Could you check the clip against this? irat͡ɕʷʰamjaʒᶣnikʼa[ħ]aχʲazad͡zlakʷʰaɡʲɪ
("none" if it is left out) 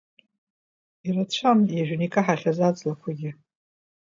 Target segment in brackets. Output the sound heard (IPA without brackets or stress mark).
ħ